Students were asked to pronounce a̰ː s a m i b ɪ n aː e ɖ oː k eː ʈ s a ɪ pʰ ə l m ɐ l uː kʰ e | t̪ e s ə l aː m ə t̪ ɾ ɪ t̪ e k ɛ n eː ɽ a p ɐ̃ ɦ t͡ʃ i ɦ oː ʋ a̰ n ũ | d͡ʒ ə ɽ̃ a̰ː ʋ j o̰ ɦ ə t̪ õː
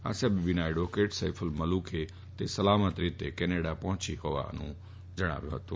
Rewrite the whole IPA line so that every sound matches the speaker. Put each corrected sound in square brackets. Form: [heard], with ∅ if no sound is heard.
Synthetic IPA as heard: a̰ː s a [b] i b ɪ n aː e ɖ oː k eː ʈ s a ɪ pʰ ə l m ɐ l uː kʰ e | t̪ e s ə l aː m ə t̪ ɾ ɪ t̪ e k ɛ n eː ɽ a p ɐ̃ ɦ t͡ʃ i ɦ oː ʋ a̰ n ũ | d͡ʒ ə ɽ̃ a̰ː ʋ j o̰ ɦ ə t̪ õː